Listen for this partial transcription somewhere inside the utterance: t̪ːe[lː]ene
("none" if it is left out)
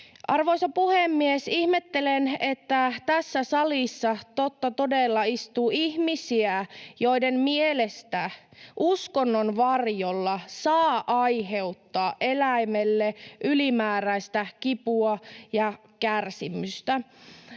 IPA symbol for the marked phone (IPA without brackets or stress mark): l